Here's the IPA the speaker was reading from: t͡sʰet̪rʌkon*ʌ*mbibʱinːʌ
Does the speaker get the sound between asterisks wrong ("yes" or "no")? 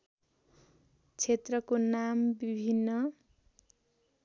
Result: yes